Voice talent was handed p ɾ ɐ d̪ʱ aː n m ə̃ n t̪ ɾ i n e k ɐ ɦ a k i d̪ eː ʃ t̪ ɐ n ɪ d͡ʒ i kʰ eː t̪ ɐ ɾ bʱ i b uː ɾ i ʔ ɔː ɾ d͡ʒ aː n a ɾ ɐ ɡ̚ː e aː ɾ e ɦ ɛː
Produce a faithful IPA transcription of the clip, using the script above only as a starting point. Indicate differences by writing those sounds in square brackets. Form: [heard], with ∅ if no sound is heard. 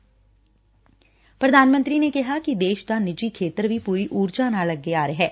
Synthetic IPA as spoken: p ɾ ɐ d̪ʱ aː n m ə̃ n t̪ ɾ i n e k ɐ ɦ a k i d̪ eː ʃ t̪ [a] n ɪ d͡ʒ i kʰ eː t̪ [ə] ɾ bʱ i [p] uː ɾ i ʔ [uː] ɾ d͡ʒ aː n a [l] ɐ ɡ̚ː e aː ɾ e ɦ ɛː